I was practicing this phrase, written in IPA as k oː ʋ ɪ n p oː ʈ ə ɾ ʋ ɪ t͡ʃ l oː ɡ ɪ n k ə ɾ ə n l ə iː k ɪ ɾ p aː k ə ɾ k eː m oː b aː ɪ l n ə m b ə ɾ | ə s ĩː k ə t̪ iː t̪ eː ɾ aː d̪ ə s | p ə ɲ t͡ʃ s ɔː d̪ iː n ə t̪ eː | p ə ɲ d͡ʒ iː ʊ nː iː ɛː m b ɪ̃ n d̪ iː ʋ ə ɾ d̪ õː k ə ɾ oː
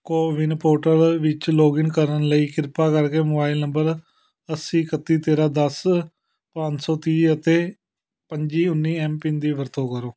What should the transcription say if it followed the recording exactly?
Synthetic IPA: k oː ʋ ɪ n p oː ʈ ə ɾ ʋ ɪ t͡ʃ l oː ɡ ɪ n k ə ɾ ə n l ə iː k ɪ ɾ p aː k ə ɾ k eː m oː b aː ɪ l n ə m b ə ɾ | ə s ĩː k ə t̪ iː t̪ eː ɾ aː d̪ ə s | p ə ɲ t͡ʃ s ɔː t̪ iː ə t̪ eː | p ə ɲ d͡ʒ iː ʊ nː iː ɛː m p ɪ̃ n d̪ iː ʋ ə ɾ t̪ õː k ə ɾ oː

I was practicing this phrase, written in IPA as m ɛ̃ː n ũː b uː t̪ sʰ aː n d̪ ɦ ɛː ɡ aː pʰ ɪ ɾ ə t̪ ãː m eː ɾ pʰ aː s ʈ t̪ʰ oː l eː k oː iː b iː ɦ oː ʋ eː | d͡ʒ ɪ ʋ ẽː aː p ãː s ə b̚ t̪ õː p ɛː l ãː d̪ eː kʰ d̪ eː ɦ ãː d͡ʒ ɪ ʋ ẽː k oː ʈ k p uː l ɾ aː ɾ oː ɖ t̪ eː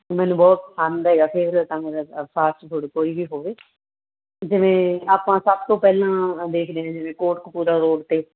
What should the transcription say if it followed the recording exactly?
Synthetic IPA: m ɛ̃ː n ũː b ɔː t̪ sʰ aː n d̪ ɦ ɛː ɡ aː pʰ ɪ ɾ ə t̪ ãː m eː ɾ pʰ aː s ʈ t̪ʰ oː ɽ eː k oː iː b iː ɦ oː ʋ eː | d͡ʒ ɪ ʋ ẽː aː p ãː s ə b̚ t̪ õː p ɛː l ãː d̪ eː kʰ d̪ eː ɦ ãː d͡ʒ ɪ ʋ ẽː k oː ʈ k p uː ɾ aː ɾ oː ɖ t̪ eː

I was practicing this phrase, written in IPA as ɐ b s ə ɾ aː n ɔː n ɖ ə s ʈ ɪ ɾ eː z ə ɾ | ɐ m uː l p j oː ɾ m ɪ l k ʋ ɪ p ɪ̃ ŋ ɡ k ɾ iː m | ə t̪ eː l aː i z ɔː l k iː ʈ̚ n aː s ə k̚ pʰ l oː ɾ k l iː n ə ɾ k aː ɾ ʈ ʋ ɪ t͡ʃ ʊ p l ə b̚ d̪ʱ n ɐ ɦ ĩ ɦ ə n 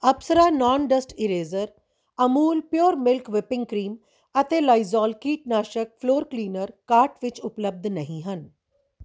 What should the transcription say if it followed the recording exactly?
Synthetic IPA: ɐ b s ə ɾ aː n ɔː n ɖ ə s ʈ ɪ ɾ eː z ə ɾ | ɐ m uː l p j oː ɾ m ɪ l k ʋ ɪ p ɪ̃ ŋ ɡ k ɾ iː m | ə t̪ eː l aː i z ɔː l k iː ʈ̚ n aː ʃ ə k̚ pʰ l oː ɾ k l iː n ə ɾ k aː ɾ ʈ ʋ ɪ t͡ʃ ʊ p l ə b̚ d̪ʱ n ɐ ɦ ĩ ɦ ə n

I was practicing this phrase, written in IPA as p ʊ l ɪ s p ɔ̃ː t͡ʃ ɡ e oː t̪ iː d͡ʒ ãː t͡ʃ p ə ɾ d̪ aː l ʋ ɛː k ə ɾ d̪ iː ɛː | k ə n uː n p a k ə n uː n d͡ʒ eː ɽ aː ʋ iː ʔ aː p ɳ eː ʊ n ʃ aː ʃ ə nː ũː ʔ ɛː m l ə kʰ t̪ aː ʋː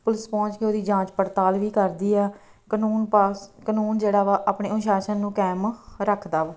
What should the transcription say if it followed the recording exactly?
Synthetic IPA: p ʊ l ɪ s p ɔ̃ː t͡ʃ k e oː d̪ iː d͡ʒ ãː t͡ʃ p ə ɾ t̪ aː l ʋ iː k ə ɾ d̪ iː ɛː | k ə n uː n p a k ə n uː n d͡ʒ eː ɽ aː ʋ aː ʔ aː p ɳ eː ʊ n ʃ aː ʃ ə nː ũː k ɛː m ɾ ə kʰ d̪ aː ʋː

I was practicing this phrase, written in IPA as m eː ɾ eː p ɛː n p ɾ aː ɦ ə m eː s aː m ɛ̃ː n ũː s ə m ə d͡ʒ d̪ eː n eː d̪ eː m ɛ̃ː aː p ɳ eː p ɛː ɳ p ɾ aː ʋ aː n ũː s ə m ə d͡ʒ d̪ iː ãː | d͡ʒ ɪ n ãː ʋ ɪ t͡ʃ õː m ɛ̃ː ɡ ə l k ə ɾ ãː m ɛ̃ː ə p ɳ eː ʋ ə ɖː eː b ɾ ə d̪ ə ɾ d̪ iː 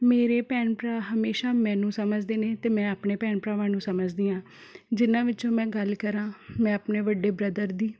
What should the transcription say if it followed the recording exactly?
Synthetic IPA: m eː ɾ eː p ɛː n p ɾ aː ɦ ə m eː ʃ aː m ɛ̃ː n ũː s ə m ə d͡ʒ d̪ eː n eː t̪ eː m ɛ̃ː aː p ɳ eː p ɛː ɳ p ɾ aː ʋ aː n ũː s ə m ə d͡ʒ d̪ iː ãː | d͡ʒ ɪ n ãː ʋ ɪ t͡ʃ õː m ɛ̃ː ɡ ə l k ə ɾ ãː m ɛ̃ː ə p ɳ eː ʋ ə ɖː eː b ɾ ə d̪ ə ɾ d̪ iː

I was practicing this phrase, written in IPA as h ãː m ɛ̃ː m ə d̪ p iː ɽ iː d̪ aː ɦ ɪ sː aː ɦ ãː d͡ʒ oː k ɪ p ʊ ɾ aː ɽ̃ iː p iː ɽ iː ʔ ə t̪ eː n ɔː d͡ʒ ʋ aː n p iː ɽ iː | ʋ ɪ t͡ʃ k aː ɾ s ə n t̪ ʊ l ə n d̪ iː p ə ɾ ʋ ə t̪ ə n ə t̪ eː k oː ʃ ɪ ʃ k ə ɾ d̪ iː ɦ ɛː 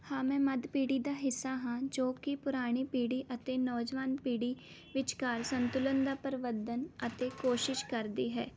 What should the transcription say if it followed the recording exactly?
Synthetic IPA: h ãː m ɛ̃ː m ə d̪ p iː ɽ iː d̪ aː ɦ ɪ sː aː ɦ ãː d͡ʒ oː k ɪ p ʊ ɾ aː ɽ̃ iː p iː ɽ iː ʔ ə t̪ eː n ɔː d͡ʒ ʋ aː n p iː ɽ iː | ʋ ɪ t͡ʃ k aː ɾ s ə n t̪ ʊ l ə n d̪ aː p ə ɾ ʋ ə d̪ ə n ə t̪ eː k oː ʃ ɪ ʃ k ə ɾ d̪ iː ɦ ɛː

